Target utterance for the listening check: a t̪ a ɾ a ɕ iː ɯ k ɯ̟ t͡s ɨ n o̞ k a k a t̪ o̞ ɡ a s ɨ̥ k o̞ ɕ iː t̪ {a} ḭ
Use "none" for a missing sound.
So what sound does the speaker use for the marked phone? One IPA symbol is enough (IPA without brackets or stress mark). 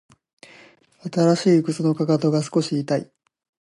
a